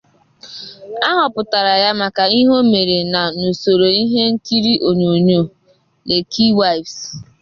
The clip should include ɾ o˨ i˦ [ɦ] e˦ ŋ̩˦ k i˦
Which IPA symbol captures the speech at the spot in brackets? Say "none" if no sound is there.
ɦ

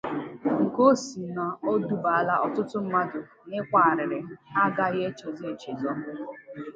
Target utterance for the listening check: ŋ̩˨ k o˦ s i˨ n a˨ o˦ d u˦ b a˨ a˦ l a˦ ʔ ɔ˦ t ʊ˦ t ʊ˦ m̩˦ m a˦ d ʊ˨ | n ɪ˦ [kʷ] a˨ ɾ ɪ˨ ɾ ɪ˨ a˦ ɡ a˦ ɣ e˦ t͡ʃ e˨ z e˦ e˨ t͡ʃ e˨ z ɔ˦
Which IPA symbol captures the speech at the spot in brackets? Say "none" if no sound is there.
kʷ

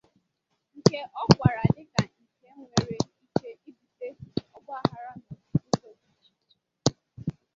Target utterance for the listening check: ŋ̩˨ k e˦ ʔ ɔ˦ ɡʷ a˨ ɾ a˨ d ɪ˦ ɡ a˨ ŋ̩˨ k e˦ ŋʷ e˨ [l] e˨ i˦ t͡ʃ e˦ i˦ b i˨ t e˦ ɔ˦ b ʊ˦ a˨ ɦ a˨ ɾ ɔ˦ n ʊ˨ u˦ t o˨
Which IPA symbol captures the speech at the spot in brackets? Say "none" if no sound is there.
ɾ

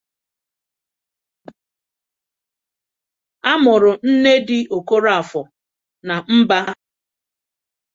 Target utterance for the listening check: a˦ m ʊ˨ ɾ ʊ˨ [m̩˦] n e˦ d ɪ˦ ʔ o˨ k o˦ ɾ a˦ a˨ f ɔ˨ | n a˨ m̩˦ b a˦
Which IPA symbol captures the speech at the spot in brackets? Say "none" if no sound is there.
n̩˦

